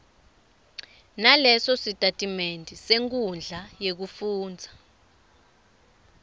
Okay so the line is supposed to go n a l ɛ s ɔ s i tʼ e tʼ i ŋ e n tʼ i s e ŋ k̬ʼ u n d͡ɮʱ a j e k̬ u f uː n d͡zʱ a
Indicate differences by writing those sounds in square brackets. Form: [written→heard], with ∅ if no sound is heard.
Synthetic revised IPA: n a l ɛ s ɔ s i tʼ [e→a] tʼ i [ŋ→m] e n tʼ i s e ŋ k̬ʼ u n d͡ɮʱ a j e k̬ u f uː n d͡zʱ a